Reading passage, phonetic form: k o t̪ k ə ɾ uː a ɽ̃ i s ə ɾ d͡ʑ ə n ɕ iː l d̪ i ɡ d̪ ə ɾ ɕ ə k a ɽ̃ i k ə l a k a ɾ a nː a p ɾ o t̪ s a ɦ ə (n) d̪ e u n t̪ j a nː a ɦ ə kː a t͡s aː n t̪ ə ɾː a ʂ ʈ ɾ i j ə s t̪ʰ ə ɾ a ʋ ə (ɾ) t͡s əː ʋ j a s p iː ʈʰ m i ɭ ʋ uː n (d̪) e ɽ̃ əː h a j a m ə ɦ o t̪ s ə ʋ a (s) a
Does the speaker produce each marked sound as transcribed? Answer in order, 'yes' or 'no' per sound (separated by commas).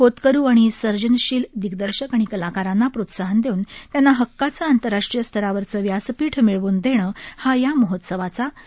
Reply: yes, yes, yes, no